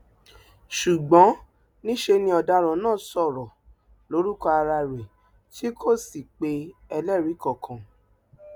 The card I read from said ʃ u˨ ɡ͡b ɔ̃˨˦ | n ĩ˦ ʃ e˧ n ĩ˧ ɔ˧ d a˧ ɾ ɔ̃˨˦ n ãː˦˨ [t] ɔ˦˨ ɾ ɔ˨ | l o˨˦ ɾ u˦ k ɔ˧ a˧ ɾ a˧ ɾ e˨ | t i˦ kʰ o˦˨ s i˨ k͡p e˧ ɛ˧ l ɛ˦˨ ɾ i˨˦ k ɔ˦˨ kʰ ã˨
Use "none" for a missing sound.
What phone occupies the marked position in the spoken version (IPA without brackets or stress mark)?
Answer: s